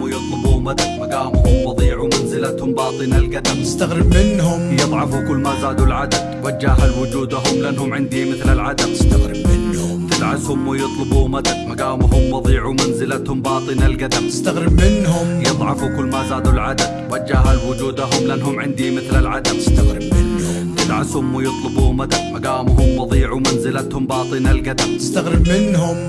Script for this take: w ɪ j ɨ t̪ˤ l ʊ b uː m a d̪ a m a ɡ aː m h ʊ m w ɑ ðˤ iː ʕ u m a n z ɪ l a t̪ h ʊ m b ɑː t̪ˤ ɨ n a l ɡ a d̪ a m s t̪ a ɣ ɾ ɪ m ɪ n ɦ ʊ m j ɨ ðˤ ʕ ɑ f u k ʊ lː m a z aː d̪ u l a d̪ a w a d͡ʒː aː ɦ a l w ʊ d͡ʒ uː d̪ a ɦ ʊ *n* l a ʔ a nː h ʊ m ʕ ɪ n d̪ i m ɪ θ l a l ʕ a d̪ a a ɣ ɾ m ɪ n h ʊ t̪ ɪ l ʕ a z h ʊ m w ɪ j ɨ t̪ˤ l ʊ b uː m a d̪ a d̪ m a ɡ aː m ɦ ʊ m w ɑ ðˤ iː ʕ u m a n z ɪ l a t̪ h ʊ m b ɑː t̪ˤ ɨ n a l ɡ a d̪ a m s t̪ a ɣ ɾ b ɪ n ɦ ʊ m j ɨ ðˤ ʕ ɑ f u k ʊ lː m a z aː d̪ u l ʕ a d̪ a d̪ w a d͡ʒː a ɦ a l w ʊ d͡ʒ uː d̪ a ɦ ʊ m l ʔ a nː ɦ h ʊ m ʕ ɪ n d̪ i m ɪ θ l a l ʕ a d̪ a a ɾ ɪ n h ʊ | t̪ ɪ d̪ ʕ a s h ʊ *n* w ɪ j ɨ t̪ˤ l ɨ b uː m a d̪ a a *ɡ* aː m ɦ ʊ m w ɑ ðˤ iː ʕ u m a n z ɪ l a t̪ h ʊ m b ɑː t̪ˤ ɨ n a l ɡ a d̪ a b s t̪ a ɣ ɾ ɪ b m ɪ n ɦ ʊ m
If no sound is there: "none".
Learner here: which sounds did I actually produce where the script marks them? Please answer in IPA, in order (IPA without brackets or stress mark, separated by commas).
m, m, ɡ